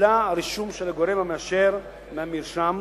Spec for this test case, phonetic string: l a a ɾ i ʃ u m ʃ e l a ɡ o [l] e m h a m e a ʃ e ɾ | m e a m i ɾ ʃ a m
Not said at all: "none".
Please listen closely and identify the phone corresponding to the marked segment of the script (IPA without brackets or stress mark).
ɾ